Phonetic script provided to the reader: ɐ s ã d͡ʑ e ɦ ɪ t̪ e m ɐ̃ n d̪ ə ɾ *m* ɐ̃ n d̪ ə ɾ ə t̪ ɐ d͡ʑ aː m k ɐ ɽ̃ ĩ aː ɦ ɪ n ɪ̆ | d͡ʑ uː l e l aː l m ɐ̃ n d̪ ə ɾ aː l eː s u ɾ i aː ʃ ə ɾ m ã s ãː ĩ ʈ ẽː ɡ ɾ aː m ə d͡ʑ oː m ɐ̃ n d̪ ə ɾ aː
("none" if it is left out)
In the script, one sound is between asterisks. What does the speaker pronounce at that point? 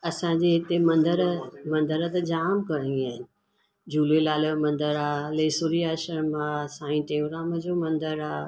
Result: m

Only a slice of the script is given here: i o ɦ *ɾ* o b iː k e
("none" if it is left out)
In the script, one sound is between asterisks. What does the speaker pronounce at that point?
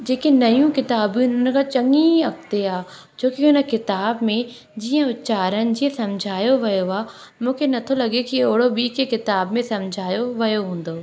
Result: ɽ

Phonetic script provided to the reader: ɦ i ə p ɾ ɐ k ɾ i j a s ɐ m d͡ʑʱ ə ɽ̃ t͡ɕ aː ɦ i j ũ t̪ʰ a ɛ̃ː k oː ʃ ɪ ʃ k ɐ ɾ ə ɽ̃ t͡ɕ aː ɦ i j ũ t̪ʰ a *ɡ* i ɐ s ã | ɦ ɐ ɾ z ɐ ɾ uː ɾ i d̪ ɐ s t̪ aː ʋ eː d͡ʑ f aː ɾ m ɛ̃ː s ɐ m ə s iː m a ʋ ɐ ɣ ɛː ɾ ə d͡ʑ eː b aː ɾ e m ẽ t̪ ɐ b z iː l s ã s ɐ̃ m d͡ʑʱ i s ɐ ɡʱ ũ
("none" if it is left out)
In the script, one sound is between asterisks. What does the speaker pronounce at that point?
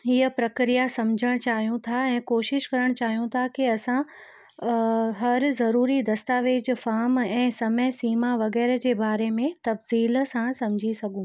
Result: k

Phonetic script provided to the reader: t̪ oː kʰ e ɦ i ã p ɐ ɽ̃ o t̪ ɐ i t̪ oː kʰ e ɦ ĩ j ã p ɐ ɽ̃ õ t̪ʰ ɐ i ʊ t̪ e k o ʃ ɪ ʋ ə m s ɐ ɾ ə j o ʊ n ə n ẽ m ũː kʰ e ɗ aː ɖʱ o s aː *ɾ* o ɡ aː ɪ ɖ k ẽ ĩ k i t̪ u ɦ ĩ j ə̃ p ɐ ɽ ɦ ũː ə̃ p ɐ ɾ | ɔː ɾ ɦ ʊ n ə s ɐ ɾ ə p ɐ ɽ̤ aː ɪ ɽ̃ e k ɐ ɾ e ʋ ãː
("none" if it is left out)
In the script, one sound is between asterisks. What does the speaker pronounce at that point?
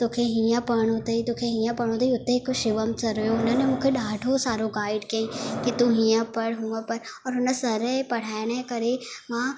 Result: ɾ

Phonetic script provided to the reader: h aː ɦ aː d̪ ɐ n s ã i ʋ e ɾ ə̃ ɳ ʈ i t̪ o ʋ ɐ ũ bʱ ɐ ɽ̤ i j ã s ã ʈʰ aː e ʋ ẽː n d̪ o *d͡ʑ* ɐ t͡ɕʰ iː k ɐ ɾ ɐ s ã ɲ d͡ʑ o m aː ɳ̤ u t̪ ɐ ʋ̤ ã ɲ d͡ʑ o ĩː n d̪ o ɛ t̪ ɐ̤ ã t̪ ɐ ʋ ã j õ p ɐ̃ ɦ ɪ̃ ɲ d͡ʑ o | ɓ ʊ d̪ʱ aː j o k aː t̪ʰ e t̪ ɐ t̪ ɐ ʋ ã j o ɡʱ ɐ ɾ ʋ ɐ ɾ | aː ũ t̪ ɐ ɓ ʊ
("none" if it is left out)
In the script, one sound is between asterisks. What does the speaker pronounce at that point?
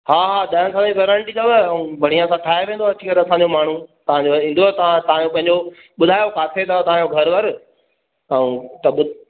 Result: none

